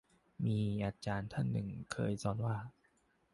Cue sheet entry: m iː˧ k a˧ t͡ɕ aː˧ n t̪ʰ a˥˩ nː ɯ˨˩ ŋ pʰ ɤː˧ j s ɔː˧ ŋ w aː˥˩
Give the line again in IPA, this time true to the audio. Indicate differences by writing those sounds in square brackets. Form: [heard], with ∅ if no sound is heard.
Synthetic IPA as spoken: m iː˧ [ʔ] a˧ t͡ɕ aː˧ n t̪ʰ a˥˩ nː ɯ˨˩ ŋ [kʰ] ɤː˧ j s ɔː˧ [n] w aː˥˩